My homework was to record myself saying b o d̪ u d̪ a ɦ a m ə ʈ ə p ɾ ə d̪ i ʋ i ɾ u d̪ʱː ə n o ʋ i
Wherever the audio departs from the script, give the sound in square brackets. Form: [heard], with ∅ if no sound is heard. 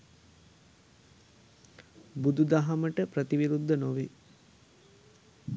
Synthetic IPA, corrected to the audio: b [u] d̪ u d̪ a ɦ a m ə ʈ ə p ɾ ə [t̪] i ʋ i ɾ u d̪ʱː ə n o ʋ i